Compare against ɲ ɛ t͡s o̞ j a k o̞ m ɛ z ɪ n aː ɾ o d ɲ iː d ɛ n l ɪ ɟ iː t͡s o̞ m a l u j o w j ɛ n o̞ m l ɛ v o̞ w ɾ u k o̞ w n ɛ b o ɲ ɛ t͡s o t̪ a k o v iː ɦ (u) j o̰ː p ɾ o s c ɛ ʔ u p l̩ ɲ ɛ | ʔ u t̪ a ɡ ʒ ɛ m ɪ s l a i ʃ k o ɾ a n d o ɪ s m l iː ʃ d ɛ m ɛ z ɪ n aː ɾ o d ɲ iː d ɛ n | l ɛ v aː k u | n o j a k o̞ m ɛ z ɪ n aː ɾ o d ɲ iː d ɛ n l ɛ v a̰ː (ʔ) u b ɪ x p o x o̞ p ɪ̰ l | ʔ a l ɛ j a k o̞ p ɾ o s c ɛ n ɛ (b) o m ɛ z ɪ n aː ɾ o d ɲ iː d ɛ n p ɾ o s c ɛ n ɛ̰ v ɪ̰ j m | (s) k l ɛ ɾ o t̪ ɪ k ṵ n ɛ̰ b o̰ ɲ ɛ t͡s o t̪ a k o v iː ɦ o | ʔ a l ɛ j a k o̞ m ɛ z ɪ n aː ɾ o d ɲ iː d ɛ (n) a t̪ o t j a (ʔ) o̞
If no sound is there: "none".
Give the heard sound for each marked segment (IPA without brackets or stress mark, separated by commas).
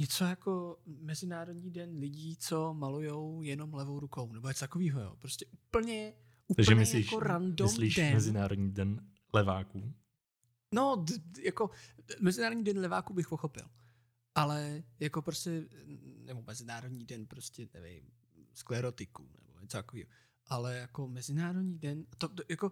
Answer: o, k, b, s, n, k